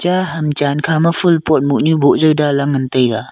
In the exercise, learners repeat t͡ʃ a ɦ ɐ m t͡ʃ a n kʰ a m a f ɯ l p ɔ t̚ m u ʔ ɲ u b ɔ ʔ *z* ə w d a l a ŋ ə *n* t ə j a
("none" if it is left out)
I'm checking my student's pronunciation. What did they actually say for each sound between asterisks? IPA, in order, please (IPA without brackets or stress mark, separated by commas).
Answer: z, n